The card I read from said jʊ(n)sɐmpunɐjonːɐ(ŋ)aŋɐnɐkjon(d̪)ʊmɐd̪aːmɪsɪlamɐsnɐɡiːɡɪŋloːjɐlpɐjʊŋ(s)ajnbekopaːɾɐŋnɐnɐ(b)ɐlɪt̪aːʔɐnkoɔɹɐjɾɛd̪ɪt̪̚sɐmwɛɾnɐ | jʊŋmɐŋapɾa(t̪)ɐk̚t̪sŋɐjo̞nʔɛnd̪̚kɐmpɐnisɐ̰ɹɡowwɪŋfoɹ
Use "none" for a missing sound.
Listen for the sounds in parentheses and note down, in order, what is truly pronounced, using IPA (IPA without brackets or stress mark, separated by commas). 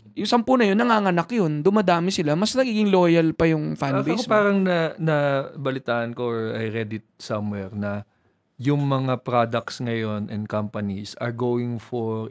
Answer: ŋ, ŋ, d̪, f, b, d̪